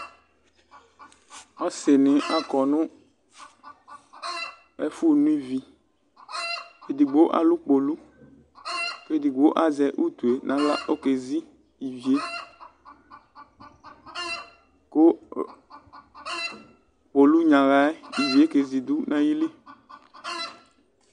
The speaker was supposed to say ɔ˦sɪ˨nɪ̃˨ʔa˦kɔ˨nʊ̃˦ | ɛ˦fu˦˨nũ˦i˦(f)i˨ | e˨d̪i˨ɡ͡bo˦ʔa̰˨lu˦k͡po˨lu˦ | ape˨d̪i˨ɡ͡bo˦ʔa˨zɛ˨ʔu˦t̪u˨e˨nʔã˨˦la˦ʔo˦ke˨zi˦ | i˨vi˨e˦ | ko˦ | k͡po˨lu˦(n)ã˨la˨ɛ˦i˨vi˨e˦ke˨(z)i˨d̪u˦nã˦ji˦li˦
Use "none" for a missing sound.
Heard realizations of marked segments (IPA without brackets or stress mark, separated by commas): v, ɲ, z